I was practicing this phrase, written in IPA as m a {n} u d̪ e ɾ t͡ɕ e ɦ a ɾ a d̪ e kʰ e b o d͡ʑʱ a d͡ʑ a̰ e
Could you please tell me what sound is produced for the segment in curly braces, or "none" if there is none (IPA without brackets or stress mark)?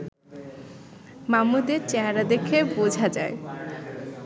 m